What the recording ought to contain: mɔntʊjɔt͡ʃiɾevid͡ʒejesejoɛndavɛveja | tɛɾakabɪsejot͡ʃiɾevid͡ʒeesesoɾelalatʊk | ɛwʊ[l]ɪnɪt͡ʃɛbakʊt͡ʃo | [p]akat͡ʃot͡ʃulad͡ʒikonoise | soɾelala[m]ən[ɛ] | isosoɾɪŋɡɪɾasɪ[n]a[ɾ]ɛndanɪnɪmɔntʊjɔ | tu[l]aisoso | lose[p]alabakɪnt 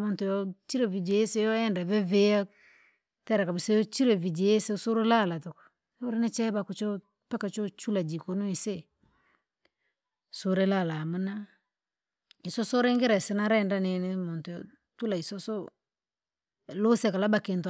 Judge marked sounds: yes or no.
no, yes, yes, no, yes, yes, yes, no

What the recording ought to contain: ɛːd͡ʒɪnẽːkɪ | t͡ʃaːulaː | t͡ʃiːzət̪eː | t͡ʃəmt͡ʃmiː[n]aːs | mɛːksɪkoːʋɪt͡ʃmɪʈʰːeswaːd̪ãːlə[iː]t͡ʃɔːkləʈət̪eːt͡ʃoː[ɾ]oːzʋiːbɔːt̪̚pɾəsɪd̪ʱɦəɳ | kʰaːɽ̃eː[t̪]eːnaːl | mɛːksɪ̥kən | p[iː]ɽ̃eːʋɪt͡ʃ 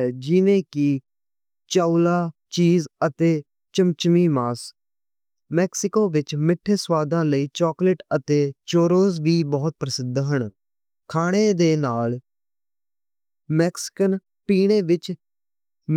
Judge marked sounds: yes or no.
no, yes, yes, no, yes

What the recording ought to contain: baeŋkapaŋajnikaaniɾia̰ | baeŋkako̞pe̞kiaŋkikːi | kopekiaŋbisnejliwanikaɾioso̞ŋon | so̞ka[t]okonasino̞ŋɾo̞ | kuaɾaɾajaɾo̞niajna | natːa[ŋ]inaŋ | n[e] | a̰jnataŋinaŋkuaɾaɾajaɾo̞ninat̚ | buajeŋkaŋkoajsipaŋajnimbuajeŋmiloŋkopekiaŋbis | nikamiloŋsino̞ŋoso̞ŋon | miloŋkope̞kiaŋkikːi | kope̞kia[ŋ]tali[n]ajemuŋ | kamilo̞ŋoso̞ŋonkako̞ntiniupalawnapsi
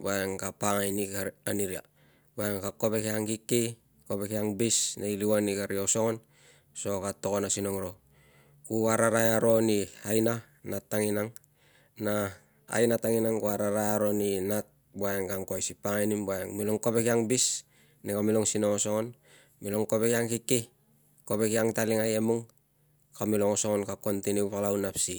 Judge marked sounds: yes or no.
yes, yes, no, yes, no

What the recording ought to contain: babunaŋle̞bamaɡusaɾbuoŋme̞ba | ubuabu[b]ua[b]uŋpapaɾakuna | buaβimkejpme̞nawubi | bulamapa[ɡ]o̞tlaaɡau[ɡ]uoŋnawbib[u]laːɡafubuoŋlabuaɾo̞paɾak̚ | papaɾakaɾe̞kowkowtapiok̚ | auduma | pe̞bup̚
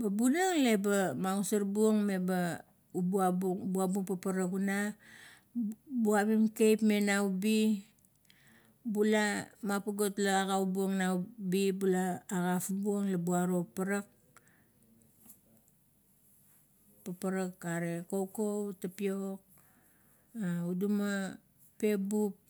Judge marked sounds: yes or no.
yes, yes, yes, no, yes

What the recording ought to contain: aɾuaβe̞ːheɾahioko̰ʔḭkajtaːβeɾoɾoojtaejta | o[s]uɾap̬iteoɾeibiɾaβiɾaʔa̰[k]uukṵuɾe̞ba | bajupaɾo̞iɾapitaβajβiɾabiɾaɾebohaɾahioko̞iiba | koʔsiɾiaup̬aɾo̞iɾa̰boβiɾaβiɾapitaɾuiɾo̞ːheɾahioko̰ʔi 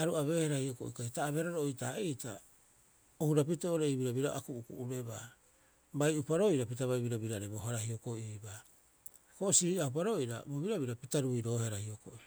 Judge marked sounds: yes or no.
no, yes

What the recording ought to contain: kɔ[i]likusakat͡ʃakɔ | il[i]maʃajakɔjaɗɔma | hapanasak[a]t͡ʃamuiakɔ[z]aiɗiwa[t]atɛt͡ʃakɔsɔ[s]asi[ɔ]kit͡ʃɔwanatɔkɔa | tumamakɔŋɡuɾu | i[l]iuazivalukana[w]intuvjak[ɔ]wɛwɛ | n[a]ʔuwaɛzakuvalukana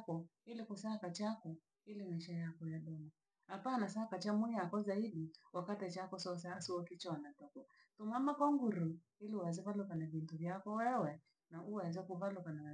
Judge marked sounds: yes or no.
yes, yes, yes, yes, no, yes, yes, yes, no, yes, yes

